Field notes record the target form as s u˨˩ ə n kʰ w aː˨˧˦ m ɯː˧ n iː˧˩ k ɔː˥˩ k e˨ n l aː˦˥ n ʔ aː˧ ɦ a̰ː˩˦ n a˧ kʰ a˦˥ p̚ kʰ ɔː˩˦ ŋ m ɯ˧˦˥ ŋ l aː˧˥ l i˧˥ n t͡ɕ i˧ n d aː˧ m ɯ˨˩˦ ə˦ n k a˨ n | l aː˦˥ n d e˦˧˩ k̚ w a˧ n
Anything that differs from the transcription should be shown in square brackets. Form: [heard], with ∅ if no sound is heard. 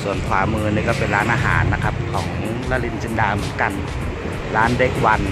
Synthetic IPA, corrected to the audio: s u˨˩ ə n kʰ w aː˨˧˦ m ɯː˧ n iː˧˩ k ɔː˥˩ [p] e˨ n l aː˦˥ n ʔ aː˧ ɦ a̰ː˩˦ [nː] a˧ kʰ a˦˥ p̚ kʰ ɔː˩˦ ŋ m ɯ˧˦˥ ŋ l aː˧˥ l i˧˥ n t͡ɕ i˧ n d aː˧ m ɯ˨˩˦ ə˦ n k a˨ n | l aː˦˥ n d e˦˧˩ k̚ w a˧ n